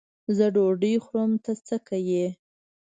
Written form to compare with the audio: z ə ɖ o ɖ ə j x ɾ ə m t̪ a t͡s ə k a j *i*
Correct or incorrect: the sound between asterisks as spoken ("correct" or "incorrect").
incorrect